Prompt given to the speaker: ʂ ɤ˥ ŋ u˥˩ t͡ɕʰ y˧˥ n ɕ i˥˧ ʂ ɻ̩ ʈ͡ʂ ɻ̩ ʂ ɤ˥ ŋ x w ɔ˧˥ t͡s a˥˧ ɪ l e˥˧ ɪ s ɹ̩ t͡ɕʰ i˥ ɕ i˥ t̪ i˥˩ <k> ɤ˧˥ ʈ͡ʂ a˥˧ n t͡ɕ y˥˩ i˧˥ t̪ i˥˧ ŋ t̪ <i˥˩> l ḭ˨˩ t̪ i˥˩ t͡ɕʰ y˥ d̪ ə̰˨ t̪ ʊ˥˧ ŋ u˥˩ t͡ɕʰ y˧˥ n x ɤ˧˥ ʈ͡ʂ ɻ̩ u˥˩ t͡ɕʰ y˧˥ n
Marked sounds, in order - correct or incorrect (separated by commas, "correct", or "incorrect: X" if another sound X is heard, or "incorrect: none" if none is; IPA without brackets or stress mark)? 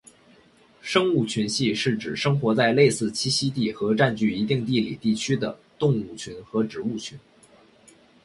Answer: incorrect: x, correct